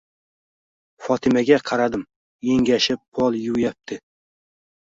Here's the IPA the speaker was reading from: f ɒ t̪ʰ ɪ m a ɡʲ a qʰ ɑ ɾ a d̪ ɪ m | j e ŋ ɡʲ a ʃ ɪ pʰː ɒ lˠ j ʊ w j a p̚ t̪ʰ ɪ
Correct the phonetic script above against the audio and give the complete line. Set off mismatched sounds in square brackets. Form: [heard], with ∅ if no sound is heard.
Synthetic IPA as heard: f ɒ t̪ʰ ɪ m a ɡʲ a qʰ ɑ ɾ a d̪ ɪ m | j e ŋ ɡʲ a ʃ ɪ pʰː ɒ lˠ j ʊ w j a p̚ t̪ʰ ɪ